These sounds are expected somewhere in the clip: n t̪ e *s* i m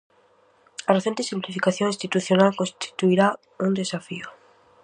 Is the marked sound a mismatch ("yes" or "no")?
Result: no